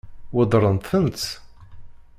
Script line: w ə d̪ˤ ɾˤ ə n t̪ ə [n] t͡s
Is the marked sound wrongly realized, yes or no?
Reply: no